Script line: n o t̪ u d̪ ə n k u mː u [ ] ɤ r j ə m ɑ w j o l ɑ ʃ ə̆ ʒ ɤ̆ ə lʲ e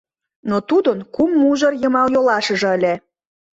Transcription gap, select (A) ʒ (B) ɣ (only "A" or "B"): A